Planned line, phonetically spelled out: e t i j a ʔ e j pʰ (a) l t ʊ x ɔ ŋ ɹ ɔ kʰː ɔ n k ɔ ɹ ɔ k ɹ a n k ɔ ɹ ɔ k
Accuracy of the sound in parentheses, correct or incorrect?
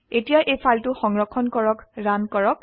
correct